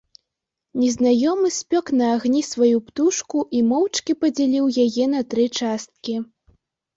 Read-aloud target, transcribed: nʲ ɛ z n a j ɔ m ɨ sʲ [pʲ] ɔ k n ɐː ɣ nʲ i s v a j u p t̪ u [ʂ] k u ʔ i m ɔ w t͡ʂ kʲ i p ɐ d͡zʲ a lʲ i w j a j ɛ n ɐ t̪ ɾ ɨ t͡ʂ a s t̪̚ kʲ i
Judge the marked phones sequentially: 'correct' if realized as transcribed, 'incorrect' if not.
correct, correct

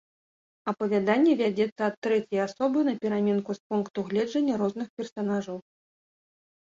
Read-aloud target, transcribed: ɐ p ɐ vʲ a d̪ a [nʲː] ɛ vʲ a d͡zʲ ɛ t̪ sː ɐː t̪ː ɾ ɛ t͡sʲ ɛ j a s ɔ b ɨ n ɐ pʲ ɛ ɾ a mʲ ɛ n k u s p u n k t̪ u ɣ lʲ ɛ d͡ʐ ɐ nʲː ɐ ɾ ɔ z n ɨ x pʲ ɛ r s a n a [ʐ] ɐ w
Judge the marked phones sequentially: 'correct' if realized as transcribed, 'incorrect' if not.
correct, correct

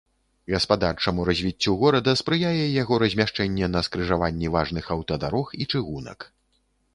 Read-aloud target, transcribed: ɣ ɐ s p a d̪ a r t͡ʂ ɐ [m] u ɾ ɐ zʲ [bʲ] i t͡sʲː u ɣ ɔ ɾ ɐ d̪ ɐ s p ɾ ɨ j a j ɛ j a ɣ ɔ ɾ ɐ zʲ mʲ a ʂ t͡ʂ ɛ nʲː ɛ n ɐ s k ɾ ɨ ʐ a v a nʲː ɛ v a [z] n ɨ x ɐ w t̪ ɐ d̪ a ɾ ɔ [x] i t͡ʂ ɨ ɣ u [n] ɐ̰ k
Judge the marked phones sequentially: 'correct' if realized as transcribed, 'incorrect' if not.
correct, incorrect: vʲ, incorrect: ʐ, correct, correct

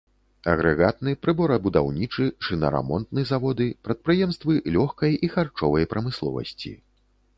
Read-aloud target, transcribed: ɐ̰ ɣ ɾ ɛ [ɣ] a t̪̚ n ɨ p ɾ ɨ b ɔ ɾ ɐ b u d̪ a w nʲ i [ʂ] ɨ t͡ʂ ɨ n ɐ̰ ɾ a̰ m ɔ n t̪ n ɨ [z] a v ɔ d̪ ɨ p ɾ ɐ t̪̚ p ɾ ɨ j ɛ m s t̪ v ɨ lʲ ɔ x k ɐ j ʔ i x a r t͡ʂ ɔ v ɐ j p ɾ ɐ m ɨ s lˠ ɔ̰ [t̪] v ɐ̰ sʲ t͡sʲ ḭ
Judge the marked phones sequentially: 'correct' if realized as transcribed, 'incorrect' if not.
correct, incorrect: t͡ʂ, correct, incorrect: none

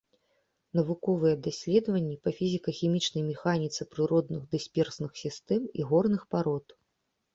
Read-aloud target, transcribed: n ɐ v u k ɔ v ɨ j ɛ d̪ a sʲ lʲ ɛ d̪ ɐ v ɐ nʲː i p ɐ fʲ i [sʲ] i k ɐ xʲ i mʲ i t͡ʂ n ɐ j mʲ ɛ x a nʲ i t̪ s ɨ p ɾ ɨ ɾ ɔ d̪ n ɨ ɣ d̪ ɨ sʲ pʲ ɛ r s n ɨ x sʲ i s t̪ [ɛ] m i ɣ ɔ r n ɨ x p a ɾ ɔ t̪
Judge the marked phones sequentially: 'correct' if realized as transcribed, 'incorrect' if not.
incorrect: zʲ, correct

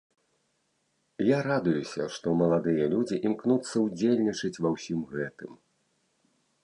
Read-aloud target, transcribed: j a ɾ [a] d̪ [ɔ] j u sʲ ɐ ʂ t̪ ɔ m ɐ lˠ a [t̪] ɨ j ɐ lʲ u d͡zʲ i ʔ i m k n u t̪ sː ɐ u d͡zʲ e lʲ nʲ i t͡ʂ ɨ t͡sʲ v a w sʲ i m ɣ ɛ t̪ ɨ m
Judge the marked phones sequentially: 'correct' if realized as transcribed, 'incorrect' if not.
correct, incorrect: u, incorrect: d̪

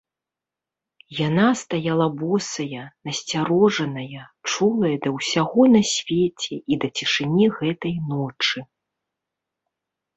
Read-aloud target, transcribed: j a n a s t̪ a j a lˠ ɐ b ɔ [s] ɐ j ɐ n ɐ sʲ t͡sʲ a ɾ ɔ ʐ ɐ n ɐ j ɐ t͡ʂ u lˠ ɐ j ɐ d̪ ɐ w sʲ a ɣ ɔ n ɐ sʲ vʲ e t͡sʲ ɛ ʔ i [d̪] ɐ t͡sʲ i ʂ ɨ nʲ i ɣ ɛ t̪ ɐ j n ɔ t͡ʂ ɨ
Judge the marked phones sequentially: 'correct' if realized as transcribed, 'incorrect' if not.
correct, correct

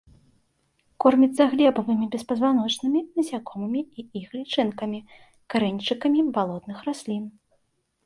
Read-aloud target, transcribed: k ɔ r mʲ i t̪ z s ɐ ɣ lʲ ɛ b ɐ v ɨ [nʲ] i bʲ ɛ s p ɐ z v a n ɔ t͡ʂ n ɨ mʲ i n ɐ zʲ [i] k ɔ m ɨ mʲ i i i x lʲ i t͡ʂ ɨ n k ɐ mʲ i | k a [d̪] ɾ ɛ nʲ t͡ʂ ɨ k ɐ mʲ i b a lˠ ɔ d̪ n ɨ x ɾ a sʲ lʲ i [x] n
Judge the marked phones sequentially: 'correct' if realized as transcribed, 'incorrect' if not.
incorrect: mʲ, incorrect: a, incorrect: none, incorrect: none

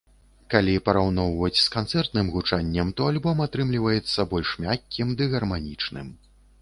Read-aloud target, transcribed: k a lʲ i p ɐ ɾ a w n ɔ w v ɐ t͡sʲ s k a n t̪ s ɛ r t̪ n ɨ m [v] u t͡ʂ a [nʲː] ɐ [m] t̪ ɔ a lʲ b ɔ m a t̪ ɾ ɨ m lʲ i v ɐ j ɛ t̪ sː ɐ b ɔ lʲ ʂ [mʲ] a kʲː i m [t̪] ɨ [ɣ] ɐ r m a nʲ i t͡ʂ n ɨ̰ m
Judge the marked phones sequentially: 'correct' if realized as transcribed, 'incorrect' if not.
incorrect: ɣ, correct, correct, correct, incorrect: d̪, correct

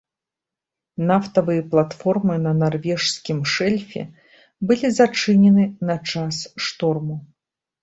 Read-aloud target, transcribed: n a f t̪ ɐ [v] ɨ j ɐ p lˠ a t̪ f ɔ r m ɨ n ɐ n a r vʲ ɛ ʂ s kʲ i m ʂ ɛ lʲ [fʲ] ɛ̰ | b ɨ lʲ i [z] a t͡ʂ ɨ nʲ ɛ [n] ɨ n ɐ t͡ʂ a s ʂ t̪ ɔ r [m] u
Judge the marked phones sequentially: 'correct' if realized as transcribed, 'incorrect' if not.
correct, correct, correct, correct, correct

